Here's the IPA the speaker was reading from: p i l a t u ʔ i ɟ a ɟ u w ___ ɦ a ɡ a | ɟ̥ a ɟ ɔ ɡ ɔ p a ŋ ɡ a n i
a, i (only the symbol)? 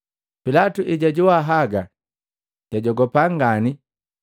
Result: a